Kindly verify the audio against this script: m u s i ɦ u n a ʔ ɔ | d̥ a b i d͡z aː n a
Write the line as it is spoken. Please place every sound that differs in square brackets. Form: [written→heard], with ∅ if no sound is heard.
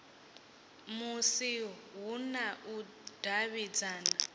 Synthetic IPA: m u s i ɦ u n a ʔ [ɔ→u] | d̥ a [b→β] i d͡z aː n a